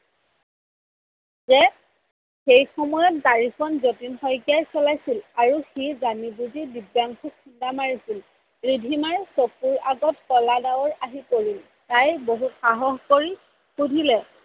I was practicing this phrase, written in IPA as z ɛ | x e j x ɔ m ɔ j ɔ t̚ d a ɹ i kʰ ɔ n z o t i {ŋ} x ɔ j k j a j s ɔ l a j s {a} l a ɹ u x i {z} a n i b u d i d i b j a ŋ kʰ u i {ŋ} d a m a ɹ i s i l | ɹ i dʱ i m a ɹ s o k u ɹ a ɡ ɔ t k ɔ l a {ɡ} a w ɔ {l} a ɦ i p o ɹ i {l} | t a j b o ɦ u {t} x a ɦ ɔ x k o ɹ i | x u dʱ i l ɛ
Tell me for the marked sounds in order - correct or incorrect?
incorrect, incorrect, correct, incorrect, incorrect, incorrect, correct, correct

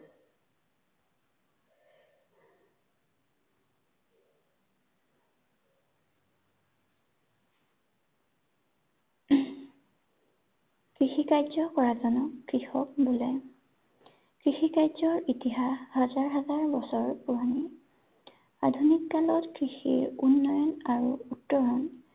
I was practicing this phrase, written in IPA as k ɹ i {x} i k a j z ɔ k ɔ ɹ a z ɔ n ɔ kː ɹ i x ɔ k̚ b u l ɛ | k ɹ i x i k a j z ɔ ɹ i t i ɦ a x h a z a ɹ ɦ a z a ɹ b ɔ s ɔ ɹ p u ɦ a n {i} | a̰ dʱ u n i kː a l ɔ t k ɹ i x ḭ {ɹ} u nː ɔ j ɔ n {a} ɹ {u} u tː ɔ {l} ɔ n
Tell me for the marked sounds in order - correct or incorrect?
correct, correct, correct, correct, correct, incorrect

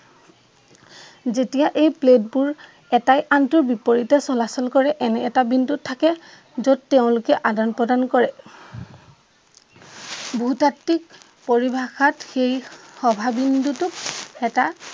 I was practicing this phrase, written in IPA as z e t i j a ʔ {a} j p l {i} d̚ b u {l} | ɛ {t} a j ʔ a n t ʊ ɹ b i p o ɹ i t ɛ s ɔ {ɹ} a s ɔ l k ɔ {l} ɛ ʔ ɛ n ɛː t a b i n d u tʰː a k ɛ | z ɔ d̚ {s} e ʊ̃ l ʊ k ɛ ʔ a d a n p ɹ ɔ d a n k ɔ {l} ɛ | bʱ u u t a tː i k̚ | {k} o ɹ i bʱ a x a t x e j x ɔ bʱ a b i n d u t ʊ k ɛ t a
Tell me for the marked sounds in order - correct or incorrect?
incorrect, incorrect, incorrect, correct, incorrect, incorrect, incorrect, incorrect, incorrect

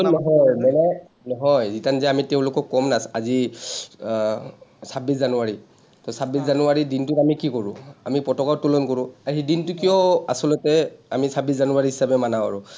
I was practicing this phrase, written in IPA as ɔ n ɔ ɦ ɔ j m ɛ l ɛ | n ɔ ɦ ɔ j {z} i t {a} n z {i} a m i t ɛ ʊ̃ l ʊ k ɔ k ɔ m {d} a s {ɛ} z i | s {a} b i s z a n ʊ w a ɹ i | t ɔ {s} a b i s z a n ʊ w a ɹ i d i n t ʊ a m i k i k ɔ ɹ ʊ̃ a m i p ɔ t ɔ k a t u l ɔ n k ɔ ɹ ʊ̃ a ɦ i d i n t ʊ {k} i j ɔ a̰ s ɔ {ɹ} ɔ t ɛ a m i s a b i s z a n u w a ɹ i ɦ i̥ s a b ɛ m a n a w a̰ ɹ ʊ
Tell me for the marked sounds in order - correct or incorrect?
correct, correct, incorrect, incorrect, incorrect, correct, correct, correct, incorrect

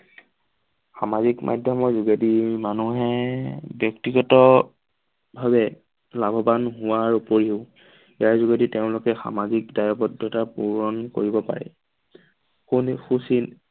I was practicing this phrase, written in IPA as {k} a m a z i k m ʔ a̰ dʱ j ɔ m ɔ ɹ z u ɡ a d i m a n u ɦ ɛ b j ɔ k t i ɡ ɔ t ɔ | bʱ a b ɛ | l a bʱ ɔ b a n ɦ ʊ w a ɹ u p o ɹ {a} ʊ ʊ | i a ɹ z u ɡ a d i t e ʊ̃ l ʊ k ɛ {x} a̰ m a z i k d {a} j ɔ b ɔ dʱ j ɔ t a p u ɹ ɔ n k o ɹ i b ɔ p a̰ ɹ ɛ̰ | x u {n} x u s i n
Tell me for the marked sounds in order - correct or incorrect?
incorrect, incorrect, correct, correct, correct

